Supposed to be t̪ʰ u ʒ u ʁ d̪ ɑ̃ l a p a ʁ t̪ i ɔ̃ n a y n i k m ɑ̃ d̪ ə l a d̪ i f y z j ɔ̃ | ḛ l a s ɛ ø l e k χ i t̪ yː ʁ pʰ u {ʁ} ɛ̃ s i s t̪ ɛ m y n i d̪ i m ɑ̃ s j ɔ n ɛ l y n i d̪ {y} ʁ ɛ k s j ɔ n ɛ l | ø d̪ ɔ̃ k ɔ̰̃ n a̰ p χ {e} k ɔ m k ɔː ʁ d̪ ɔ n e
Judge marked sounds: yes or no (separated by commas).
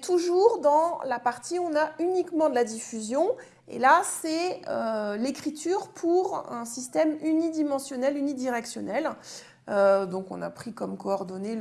yes, no, no